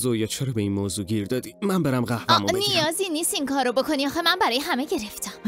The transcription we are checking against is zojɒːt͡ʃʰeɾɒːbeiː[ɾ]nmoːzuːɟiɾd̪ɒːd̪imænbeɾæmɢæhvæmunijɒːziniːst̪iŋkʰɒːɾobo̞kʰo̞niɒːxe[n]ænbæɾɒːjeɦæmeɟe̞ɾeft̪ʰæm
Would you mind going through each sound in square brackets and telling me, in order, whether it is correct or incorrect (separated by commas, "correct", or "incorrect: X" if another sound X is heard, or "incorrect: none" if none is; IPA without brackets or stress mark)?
incorrect: none, incorrect: m